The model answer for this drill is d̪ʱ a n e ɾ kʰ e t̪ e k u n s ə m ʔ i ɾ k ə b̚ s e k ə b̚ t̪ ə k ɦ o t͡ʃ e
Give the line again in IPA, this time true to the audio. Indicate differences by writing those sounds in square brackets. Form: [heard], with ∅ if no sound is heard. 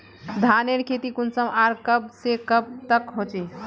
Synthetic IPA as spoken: d̪ʱ a n e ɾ kʰ e t̪ [i] k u n s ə m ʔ [a] ɾ k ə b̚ s e k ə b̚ t̪ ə k ɦ o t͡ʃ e